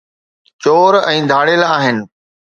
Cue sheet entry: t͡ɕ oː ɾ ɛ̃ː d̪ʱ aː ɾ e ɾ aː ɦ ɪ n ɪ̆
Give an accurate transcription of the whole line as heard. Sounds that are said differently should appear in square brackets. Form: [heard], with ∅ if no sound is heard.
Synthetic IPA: t͡ɕ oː ɾ ɛ̃ː d̪ʱ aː [ɽ] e [l] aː ɦ ɪ n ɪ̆